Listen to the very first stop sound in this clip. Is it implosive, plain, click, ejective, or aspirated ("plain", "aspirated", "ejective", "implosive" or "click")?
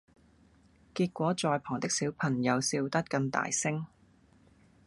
plain